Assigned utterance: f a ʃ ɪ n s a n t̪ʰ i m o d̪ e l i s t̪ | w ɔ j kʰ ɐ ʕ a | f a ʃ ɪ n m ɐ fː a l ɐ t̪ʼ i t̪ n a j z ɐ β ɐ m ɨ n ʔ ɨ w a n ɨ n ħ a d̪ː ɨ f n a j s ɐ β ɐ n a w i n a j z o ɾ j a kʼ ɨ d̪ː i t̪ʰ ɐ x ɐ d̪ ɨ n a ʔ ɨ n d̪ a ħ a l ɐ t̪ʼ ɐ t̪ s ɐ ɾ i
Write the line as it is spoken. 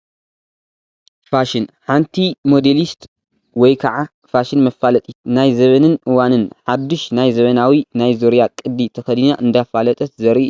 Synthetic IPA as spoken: f a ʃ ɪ n ħ a n t̪ʰ i m o d̪ e l i s t̪ | w ɔ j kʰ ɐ ʕ a | f a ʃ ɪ n m ɐ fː a l ɐ t̪ʼ i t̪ n a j z ɐ β ɐ n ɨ n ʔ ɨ w a n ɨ n ħ a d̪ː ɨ ʃ n a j z ɐ β ɐ n a w i n a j z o ɾ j a kʼ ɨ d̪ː i t̪ʰ ɐ x ɐ d̪ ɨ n a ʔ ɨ n d̪ a f a l ɐ t̪ʼ ɐ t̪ z ɐ ɾ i